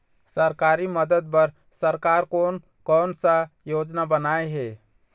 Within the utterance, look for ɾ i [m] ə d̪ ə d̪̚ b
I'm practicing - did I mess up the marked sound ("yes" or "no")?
no